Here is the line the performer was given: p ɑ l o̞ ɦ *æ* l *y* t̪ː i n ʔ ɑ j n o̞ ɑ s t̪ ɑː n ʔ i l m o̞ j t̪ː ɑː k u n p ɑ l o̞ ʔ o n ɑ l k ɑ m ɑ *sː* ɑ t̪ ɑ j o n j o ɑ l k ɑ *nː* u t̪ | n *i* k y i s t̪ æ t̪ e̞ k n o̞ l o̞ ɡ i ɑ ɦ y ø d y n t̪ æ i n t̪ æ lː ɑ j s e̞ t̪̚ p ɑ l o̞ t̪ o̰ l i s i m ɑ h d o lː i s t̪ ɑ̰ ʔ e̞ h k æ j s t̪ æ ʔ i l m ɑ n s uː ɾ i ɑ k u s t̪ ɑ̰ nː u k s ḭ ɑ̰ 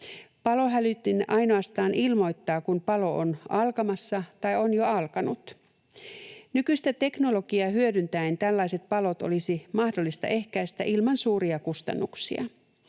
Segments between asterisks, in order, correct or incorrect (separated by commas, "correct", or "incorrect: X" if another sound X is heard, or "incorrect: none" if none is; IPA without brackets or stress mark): correct, correct, correct, incorrect: n, incorrect: y